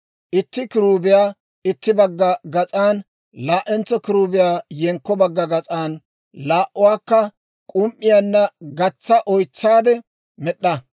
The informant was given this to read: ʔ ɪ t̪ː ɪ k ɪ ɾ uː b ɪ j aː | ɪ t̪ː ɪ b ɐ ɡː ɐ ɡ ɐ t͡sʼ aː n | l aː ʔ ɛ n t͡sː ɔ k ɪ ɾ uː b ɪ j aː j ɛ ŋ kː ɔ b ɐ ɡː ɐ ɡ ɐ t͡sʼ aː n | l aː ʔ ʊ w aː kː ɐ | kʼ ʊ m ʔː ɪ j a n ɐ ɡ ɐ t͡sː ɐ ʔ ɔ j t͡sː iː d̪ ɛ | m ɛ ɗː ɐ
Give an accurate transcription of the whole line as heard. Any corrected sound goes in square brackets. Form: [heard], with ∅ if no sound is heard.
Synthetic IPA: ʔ ɪ t̪ː ɪ k ɪ ɾ uː b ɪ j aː | ɪ t̪ː ɪ b ɐ ɡː ɐ ɡ ɐ t͡sʼ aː n | l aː ʔ ɛ n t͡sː ɔ k ɪ ɾ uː b ɪ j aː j ɛ ŋ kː ɔ b ɐ ɡː ɐ ɡ ɐ t͡sʼ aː n | l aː ʔ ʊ w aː kː ɐ | kʼ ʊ m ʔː ɪ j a [nː] ɐ ɡ ɐ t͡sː ɐ ʔ ɔ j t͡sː [aː] d̪ ɛ | m ɛ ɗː ɐ

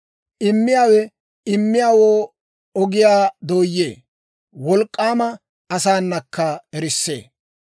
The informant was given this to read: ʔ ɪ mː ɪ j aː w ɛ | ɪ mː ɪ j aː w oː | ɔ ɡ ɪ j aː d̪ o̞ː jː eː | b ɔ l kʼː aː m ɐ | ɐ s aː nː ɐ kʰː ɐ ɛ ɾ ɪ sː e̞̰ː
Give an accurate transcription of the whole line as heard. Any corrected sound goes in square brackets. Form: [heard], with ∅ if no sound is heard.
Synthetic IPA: ʔ ɪ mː ɪ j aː w ɛ | ɪ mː ɪ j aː w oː | ɔ ɡ ɪ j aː d̪ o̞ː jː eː | [w] ɔ l kʼː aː m ɐ | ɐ s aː nː ɐ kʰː ɐ ɛ ɾ ɪ sː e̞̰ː

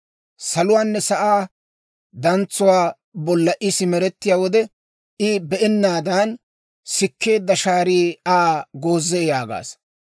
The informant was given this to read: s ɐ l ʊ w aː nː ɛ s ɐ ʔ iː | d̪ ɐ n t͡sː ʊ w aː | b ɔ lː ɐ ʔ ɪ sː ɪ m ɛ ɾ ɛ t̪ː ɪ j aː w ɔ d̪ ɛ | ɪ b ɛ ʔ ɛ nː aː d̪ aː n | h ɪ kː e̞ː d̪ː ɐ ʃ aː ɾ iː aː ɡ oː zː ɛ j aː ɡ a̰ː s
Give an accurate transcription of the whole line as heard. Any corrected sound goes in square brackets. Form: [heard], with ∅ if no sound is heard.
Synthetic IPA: s ɐ l ʊ w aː nː ɛ s ɐ ʔ [aː] | d̪ ɐ n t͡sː ʊ w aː | b ɔ lː ɐ ʔ ɪ [s] ɪ m ɛ ɾ ɛ t̪ː ɪ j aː w ɔ d̪ ɛ | ɪ b ɛ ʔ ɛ nː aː d̪ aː n | [s] ɪ kː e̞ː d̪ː ɐ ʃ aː ɾ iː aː ɡ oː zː ɛ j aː ɡ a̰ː s

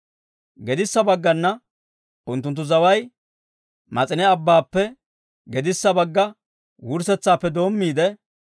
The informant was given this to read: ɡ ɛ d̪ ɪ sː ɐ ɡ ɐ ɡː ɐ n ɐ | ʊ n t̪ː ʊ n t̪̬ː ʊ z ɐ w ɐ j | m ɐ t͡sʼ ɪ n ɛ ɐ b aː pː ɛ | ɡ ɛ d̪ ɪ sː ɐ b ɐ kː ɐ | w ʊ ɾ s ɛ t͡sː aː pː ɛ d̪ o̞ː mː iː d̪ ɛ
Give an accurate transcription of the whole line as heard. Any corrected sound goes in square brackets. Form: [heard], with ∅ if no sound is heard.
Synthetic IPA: ɡ ɛ d̪ ɪ sː ɐ [b] ɐ ɡː ɐ [nː] ɐ | ʊ n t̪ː ʊ n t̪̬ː ʊ z ɐ w ɐ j | m ɐ t͡sʼ ɪ n ɛ ɐ [bː] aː pː ɛ | ɡ ɛ d̪ ɪ sː ɐ b ɐ [ɡː] ɐ | w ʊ ɾ s ɛ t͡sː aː pː ɛ d̪ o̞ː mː iː d̪ ɛ

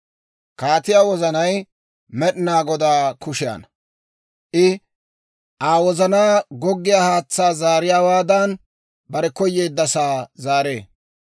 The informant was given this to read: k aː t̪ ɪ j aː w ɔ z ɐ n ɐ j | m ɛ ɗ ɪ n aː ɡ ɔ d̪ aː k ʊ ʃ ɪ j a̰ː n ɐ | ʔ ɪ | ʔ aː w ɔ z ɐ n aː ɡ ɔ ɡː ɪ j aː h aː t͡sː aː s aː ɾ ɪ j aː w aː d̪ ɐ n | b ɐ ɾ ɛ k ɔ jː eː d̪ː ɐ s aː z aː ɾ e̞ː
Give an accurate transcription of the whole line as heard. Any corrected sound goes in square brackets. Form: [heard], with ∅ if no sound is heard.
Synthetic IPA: k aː t̪ ɪ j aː w ɔ z ɐ n ɐ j | m ɛ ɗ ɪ n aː ɡ ɔ d̪ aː k ʊ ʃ ɪ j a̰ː n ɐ | ʔ ɪ | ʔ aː w ɔ z ɐ n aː ɡ ɔ ɡː ɪ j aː h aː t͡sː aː [z] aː ɾ ɪ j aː w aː d̪ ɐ n | b ɐ ɾ ɛ k ɔ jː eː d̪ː ɐ s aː z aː ɾ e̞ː

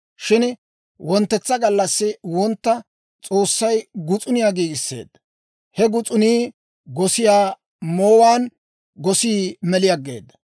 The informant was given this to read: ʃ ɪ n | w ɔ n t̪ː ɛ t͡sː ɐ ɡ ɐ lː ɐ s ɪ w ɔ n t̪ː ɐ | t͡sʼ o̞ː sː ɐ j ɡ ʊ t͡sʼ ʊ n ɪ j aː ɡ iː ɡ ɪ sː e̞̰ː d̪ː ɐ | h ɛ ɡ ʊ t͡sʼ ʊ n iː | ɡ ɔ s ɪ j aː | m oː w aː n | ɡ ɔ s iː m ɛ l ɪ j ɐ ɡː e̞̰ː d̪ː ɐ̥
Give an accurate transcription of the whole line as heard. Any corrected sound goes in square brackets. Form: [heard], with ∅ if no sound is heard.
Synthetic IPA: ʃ ɪ n | w ɔ n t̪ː ɛ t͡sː ɐ ɡ ɐ lː ɐ [sː] ɪ w ɔ n t̪ː ɐ | t͡sʼ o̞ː sː ɐ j ɡ ʊ t͡sʼ ʊ n ɪ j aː ɡ iː ɡ ɪ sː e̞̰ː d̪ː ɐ | h ɛ ɡ ʊ t͡sʼ ʊ n iː | ɡ ɔ s ɪ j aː | m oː w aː n | ɡ ɔ s iː m ɛ l ɪ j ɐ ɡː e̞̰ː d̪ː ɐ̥

